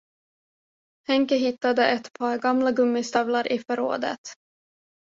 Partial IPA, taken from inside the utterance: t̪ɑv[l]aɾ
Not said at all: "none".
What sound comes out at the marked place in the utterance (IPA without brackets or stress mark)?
l